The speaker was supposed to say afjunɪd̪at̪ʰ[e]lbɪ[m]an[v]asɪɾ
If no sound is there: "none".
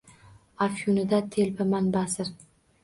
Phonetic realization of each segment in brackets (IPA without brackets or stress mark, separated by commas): e, m, b